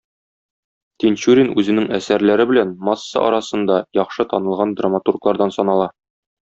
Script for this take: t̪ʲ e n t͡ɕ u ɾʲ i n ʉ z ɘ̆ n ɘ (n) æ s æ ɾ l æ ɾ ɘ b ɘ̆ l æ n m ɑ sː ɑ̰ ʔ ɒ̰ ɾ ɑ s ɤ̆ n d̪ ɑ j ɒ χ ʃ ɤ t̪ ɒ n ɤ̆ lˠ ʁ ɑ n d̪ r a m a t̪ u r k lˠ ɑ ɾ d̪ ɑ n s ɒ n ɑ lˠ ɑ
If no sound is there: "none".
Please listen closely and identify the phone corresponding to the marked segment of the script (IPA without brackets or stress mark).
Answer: ŋ